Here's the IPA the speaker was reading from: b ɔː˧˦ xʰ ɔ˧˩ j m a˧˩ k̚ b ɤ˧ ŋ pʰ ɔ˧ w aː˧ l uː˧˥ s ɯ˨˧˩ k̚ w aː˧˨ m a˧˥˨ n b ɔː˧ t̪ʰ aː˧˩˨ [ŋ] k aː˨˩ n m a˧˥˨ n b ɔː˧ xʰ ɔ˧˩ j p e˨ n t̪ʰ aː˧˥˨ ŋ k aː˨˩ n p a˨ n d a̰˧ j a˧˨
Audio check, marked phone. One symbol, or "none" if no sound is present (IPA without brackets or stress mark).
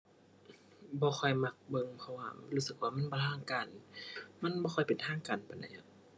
ŋ